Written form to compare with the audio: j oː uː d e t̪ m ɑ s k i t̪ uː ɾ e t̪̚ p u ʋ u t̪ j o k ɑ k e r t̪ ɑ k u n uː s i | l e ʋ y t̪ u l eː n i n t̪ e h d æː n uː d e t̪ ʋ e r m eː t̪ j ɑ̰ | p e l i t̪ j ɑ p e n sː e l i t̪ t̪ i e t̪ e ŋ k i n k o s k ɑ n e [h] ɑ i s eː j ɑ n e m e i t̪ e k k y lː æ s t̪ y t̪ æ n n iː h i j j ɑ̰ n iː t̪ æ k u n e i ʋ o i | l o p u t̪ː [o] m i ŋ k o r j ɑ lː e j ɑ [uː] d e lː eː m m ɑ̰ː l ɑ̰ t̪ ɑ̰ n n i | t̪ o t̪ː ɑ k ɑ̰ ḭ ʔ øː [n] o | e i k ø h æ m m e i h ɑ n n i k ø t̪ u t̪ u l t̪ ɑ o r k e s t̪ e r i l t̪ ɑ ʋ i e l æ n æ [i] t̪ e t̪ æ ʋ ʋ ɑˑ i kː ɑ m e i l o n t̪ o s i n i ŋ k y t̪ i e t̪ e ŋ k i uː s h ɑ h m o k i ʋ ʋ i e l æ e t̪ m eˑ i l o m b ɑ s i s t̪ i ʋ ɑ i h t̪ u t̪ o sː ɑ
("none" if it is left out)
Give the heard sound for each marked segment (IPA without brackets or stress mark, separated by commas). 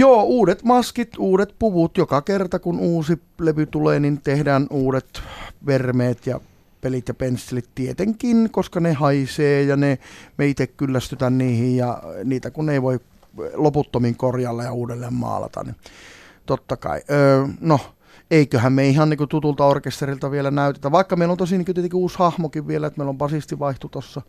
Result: h, o, uː, n, y